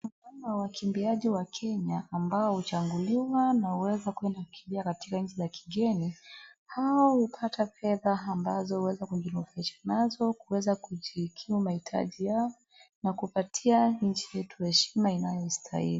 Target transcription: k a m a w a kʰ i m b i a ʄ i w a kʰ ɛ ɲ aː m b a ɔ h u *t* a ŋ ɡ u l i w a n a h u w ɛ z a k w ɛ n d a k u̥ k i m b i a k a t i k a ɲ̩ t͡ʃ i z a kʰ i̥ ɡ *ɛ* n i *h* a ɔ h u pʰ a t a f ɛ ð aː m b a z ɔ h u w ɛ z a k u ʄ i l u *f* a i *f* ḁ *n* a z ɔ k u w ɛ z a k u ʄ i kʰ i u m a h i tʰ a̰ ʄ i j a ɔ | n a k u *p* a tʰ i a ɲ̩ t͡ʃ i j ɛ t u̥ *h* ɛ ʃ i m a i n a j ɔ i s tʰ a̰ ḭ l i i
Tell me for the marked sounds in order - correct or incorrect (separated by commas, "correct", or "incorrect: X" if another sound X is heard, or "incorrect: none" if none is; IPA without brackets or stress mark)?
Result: incorrect: t͡ʃ, correct, correct, correct, incorrect: ʃ, correct, correct, correct